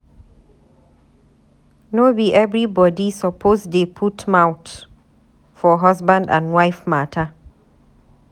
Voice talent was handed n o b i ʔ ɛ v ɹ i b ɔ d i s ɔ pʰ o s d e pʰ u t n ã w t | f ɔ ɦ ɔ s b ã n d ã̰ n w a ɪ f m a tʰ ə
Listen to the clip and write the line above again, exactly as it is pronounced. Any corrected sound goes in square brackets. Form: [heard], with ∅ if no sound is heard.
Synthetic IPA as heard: n o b i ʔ ɛ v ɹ i b ɔ d i s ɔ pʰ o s d e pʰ u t [m] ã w t | f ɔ ɦ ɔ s b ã n d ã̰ n w a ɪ f m a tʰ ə

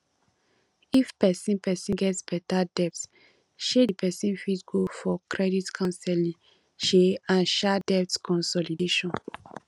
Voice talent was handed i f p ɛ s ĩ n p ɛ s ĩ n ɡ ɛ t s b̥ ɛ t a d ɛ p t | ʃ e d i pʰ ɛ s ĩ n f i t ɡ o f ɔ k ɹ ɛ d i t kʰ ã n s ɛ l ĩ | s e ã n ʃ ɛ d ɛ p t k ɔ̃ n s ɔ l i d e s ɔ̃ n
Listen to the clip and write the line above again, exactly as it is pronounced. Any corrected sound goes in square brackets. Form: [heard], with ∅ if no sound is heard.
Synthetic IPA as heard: i f p ɛ s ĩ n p ɛ s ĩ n ɡ ɛ t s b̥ ɛ t a d ɛ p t | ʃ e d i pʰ ɛ s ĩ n f i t ɡ o f ɔ k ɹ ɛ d i t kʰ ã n s ɛ l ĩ | [ʃ] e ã n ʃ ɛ d ɛ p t k ɔ̃ n s ɔ l i d e [ʃ] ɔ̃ n

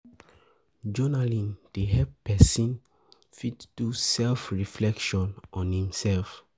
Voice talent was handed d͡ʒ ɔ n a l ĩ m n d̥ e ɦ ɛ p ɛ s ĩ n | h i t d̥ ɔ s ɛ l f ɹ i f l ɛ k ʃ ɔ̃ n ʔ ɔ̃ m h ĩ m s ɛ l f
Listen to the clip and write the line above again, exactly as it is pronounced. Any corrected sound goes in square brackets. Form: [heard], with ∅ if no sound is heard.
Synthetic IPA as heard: d͡ʒ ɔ n a l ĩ [∅] n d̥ e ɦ ɛ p ɛ s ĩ n | [f] i t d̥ [u] s ɛ l f ɹ i f l ɛ k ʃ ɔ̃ n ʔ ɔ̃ [n] h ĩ m s ɛ l f

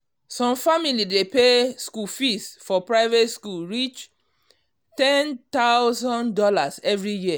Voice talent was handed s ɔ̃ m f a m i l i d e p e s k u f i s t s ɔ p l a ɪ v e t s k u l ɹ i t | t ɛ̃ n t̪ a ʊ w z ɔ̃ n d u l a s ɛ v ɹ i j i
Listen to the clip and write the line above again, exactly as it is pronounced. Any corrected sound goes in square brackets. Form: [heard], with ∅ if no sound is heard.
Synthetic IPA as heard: s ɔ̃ m f a m i l i d e p e s k u f i s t [f] ɔ p [ɹ] a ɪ v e t s k u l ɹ i [t͡ʃ] | t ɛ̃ n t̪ a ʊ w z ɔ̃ n d [ɔ] l a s ɛ v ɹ i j i

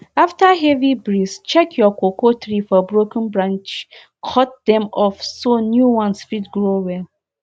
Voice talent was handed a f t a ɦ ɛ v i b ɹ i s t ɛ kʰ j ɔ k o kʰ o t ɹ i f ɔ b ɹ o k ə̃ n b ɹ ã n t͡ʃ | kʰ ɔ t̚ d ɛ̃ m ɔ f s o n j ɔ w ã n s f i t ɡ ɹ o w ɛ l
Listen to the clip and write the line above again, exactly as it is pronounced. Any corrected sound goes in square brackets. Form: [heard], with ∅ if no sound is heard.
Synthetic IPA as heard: a f t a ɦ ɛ v i b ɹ i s [t͡ʃ] ɛ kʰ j ɔ k o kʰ o t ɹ i f ɔ b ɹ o k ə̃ n b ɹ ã n t͡ʃ | kʰ ɔ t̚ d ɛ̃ m ɔ f s o n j [u] w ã n s f i t ɡ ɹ o w ɛ l

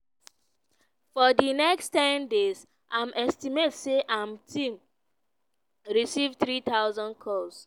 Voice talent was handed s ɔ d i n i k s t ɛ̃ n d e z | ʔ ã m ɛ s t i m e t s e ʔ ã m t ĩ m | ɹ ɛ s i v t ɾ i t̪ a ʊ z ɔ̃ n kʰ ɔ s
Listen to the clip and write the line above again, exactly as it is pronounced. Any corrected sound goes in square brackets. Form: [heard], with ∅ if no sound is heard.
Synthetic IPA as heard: [f] ɔ d i n [ɛ] k s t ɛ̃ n d e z | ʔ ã m ɛ s t i m e t s e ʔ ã m t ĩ m | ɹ [i] s i v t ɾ i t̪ a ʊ z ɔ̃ n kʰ ɔ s

